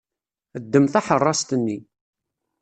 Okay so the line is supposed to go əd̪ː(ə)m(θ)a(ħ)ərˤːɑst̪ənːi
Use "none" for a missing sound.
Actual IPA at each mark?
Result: ə, θ, ħ

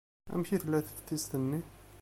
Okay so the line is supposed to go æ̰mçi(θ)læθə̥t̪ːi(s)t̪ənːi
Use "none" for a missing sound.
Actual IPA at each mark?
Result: θ, s

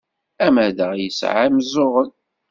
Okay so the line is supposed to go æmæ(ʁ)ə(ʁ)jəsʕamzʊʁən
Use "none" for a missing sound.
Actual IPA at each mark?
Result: ð, ʁ

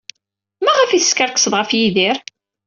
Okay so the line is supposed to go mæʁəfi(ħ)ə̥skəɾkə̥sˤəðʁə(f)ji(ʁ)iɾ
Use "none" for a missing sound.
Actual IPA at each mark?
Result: θ, f, ð

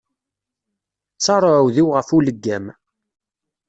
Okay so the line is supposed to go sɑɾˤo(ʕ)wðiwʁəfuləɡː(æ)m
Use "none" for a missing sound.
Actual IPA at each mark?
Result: ʕ, æ

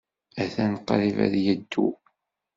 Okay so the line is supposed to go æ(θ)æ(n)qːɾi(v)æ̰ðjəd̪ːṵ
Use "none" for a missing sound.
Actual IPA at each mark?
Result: θ, n, v

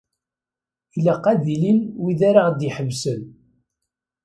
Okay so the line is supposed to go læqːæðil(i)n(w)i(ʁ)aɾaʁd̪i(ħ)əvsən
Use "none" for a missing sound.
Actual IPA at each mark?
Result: i, w, ð, ħ

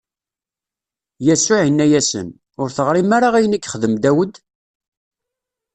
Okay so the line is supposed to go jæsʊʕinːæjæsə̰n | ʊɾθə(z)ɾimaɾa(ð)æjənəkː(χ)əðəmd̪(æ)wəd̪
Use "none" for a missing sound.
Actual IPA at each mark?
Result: ʁ, ʁ, χ, æ

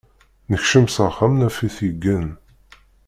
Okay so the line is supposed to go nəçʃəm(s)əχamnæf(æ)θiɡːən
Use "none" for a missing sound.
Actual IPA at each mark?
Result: s, i

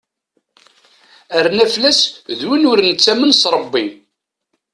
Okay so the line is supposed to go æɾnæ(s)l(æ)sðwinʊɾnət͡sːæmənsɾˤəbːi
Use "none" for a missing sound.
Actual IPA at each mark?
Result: f, æ

